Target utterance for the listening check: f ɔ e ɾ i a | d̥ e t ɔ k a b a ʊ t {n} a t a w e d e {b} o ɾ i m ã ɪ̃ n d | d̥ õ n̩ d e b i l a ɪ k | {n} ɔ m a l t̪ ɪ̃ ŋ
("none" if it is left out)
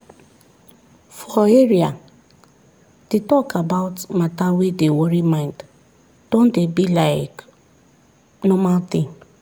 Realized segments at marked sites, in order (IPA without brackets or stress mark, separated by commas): m, w, n